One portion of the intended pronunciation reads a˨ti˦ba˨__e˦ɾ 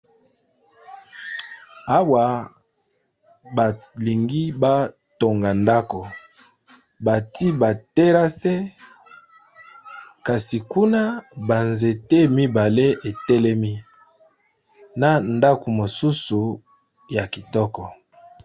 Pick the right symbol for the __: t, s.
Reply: t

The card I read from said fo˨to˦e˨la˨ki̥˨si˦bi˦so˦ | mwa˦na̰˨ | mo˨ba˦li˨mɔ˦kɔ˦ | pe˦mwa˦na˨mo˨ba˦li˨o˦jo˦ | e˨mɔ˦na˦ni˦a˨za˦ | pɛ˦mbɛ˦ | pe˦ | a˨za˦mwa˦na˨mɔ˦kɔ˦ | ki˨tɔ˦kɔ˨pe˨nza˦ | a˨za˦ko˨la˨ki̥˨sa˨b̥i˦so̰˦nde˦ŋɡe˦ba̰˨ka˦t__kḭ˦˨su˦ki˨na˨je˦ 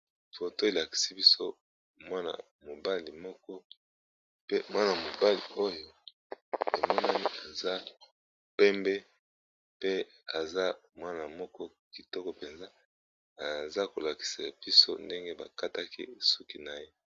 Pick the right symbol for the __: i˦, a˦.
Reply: a˦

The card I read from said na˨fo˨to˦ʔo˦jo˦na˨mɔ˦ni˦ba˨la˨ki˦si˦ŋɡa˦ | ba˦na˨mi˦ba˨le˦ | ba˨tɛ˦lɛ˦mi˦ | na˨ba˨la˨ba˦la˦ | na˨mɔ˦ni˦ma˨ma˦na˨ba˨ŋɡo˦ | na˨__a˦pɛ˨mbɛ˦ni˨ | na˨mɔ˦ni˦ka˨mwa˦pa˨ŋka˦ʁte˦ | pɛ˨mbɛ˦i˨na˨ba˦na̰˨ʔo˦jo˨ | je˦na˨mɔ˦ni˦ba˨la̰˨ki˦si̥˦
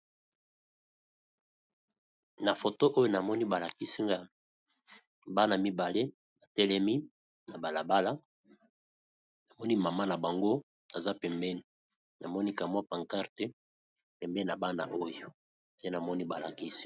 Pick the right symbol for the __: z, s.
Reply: z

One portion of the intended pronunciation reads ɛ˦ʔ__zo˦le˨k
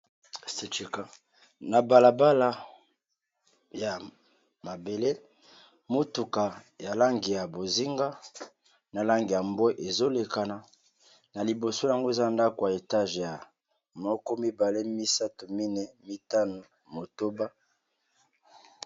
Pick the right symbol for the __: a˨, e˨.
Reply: e˨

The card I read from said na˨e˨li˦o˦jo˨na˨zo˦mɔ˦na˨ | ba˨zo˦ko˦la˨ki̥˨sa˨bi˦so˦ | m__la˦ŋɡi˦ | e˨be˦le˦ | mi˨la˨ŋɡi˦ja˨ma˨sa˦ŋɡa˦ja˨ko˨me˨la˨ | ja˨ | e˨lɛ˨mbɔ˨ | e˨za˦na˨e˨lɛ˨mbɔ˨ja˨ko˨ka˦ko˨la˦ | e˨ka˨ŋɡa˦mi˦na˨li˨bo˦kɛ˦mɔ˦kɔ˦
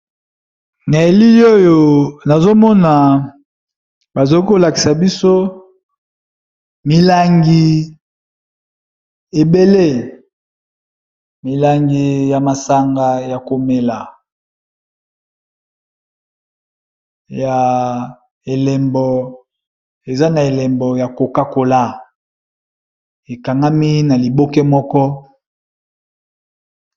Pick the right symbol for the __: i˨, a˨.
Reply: i˨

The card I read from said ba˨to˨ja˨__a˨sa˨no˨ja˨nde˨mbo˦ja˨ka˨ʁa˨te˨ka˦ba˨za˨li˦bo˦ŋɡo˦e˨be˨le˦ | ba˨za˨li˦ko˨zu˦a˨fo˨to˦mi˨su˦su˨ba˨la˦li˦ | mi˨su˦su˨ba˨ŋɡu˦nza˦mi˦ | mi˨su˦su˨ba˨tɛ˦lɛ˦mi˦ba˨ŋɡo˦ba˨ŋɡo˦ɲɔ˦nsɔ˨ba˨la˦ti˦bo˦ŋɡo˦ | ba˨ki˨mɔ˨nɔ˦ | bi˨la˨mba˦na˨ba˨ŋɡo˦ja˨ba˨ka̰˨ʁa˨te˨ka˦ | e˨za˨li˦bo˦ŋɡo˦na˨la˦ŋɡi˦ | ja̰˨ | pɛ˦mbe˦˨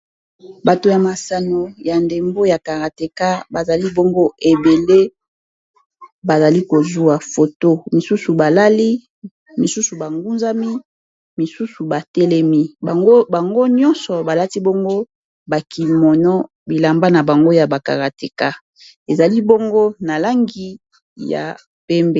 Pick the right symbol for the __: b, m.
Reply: m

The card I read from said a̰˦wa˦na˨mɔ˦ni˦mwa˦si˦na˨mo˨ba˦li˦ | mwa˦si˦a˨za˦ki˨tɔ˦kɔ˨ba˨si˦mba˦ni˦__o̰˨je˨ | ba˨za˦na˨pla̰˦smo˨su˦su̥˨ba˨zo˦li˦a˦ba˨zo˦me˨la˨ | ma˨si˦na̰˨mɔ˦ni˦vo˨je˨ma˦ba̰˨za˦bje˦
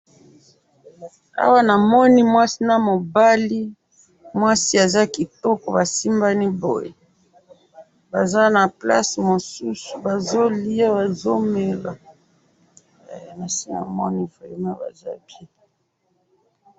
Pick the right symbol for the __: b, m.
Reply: b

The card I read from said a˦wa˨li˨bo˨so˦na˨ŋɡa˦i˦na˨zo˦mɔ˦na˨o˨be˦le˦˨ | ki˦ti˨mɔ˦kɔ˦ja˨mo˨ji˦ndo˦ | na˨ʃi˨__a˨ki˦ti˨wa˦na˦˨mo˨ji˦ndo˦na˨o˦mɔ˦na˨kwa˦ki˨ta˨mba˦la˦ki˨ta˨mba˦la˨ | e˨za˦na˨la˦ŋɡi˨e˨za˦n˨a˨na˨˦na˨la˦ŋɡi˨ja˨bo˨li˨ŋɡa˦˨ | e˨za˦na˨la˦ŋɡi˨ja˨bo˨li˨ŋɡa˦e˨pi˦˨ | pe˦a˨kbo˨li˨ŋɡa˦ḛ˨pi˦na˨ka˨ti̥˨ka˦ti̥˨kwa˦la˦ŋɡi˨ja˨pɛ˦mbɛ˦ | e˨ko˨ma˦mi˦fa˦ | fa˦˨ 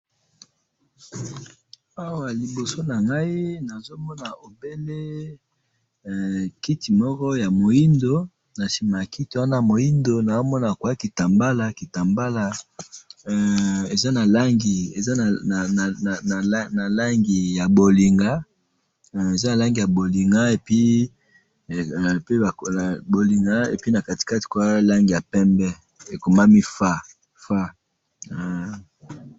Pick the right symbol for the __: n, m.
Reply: m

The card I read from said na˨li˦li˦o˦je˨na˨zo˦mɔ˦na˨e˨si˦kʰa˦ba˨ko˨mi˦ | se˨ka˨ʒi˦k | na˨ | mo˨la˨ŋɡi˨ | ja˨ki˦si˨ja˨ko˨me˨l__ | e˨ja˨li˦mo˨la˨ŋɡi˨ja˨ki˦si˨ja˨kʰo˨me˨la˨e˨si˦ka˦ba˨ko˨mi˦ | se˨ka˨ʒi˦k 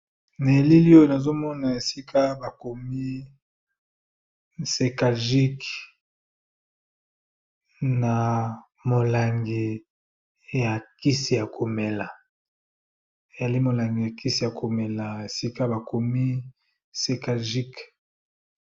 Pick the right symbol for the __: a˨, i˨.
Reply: a˨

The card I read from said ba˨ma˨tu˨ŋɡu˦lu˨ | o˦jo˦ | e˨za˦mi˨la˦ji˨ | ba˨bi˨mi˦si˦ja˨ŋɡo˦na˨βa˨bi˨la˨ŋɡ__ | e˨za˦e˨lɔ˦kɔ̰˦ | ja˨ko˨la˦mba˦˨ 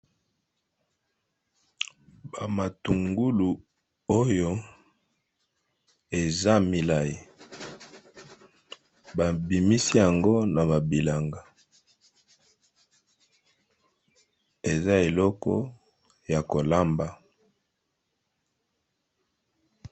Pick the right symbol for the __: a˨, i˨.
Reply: a˨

